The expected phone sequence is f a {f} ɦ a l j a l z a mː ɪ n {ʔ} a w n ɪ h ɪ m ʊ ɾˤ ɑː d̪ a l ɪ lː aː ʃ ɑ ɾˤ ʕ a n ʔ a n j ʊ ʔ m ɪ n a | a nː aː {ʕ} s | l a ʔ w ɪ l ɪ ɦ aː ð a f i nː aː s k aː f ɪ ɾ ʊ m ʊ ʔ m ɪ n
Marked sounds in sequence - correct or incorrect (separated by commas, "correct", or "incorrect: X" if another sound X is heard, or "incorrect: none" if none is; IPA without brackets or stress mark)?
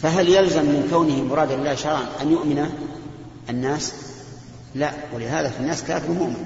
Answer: incorrect: none, incorrect: k, incorrect: none